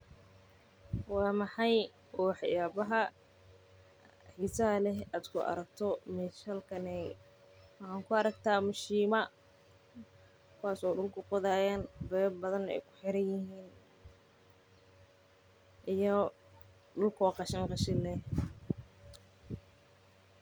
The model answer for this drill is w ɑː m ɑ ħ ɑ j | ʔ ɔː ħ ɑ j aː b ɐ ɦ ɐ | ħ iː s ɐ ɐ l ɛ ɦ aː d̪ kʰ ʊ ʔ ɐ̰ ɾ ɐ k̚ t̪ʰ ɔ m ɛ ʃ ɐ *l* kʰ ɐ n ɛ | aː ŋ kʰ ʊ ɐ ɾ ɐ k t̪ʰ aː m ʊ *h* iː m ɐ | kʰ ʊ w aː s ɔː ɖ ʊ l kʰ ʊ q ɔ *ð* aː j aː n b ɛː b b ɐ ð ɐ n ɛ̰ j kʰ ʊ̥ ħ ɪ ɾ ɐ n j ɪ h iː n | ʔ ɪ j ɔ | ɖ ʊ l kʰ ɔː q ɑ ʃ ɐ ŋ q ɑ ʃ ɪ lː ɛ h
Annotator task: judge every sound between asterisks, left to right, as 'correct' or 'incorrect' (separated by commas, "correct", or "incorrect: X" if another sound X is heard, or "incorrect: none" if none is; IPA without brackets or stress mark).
correct, incorrect: ʃ, correct